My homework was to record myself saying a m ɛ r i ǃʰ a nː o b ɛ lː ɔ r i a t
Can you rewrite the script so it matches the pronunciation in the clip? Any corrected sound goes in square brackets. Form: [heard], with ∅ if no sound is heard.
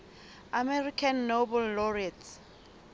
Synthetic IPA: a m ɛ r i [kʰ] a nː o b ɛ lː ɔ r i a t